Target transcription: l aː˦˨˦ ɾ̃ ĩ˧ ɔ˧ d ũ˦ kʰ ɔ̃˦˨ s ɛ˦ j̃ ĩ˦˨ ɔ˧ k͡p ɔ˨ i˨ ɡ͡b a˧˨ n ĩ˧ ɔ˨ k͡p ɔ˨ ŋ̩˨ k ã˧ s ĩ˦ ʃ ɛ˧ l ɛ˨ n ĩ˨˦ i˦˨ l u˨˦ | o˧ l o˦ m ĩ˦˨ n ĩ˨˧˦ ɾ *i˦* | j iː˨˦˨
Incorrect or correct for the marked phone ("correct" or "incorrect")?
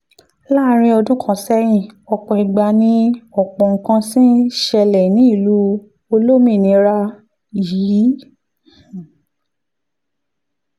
incorrect